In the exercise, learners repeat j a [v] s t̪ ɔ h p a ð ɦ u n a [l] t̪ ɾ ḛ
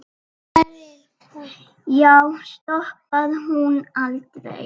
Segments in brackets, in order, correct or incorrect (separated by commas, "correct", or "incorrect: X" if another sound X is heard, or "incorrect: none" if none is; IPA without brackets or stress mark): incorrect: w, correct